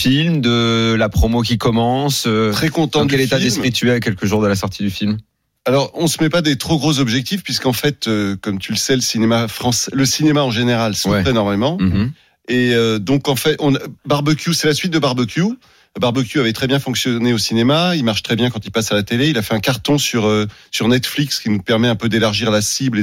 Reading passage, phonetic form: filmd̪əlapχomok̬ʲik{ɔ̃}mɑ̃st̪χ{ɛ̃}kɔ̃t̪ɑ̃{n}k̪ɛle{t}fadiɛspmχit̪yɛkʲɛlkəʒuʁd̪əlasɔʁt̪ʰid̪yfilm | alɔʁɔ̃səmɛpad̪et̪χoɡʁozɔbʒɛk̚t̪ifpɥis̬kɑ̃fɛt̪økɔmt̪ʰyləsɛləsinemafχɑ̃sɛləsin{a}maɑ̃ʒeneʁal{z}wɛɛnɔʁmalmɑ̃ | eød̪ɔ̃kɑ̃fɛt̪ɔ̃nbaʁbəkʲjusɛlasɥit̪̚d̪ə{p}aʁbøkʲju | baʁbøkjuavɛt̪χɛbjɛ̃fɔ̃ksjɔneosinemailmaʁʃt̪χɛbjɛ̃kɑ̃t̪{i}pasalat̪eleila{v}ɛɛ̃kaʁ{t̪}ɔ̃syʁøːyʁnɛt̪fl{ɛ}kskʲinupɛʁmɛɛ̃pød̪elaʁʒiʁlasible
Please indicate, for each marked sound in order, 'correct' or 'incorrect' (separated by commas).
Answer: incorrect, incorrect, incorrect, correct, incorrect, incorrect, incorrect, correct, incorrect, correct, incorrect